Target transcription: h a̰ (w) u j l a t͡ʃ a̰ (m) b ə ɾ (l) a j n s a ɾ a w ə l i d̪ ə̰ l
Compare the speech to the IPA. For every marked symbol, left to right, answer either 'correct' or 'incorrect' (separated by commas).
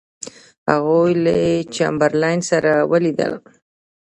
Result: incorrect, correct, correct